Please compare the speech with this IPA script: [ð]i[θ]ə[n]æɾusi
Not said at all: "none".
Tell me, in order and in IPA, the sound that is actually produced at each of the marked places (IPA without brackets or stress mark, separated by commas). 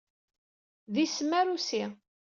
ð, s, m